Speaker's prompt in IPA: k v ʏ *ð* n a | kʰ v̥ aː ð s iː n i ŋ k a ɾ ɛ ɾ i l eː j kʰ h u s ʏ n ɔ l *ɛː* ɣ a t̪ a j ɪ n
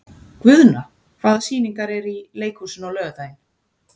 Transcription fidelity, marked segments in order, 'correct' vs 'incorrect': correct, incorrect: œː

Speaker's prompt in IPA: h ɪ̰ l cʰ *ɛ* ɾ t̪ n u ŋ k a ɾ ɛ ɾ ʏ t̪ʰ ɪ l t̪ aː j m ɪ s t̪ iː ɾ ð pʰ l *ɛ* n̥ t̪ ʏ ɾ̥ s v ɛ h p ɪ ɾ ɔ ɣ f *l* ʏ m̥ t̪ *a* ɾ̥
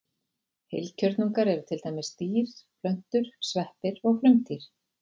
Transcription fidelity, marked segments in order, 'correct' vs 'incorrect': incorrect: œ, incorrect: œ, correct, incorrect: i

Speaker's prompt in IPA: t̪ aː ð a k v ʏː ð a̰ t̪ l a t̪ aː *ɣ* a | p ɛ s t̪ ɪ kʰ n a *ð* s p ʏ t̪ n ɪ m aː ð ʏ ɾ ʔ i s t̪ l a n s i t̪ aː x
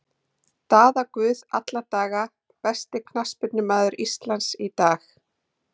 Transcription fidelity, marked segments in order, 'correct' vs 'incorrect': correct, incorrect: none

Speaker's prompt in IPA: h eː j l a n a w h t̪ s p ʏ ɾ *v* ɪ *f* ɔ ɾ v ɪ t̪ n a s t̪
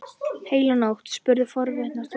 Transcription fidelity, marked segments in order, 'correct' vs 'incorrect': incorrect: ð, correct

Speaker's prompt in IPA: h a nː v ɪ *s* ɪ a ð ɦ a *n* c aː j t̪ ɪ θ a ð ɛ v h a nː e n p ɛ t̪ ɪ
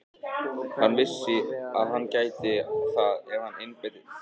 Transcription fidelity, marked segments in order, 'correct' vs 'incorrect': incorrect: sː, incorrect: nː

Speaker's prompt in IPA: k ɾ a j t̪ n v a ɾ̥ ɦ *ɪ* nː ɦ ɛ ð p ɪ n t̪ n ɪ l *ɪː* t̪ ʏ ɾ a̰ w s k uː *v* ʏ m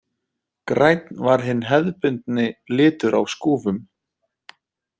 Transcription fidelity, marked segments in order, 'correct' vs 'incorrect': correct, correct, correct

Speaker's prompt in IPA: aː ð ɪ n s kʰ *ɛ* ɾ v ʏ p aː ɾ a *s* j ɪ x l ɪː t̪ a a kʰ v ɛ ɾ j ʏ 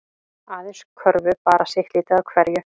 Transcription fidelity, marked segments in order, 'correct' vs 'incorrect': incorrect: œ, correct

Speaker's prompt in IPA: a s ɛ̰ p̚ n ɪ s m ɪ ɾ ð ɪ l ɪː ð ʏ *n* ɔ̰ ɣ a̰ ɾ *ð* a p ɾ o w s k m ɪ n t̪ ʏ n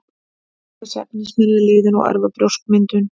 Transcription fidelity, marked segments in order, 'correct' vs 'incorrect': correct, incorrect: v

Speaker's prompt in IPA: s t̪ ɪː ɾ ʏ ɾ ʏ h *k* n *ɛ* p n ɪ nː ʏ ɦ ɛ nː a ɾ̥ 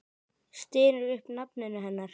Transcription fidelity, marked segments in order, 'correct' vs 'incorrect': incorrect: p, incorrect: a

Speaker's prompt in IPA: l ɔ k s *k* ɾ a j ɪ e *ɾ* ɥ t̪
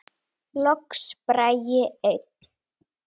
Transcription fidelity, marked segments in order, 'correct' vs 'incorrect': incorrect: p, incorrect: none

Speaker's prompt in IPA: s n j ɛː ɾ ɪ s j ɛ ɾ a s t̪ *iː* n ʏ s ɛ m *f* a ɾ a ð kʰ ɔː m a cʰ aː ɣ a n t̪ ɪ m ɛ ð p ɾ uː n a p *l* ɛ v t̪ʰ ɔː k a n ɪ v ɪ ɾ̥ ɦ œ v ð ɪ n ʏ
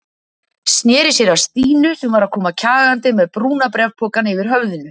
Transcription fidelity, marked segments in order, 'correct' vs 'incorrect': correct, incorrect: v, incorrect: ɾ

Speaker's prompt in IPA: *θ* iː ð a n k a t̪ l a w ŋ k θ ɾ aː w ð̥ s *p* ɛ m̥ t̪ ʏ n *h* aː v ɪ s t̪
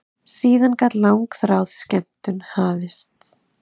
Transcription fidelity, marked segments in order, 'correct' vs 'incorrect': incorrect: s, incorrect: c, correct

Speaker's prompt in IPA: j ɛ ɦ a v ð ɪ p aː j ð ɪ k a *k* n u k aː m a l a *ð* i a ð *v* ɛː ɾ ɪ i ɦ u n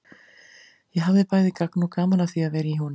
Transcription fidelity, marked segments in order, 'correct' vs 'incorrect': correct, incorrect: θ, correct

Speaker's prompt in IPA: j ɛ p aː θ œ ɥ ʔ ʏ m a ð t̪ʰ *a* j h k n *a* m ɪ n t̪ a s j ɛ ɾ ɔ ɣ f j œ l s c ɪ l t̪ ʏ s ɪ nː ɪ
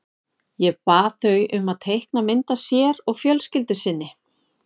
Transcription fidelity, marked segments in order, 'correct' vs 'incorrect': incorrect: e, correct

